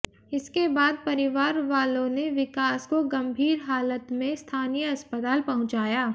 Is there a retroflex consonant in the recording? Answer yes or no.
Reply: no